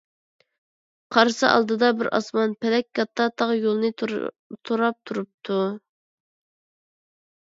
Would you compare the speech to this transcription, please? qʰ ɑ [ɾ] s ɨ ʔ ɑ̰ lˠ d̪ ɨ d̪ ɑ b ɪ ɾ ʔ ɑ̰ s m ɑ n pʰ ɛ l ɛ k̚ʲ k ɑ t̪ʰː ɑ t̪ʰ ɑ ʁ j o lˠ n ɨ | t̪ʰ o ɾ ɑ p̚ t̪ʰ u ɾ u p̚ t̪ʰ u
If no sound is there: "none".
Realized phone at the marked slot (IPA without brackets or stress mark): ɾ